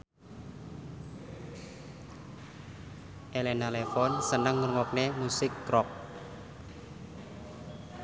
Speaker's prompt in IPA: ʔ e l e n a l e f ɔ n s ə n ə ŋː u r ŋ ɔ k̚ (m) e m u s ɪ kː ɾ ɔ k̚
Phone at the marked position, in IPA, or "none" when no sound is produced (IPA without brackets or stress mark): n